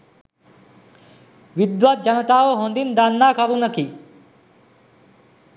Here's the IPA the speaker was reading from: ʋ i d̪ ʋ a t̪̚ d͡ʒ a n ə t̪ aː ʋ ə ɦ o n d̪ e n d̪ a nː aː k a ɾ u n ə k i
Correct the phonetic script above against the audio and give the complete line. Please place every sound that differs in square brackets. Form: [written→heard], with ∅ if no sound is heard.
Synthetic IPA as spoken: ʋ i d̪ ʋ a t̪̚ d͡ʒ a n ə t̪ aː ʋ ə ɦ o n d̪ [e→i] n d̪ a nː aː k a ɾ u n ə k i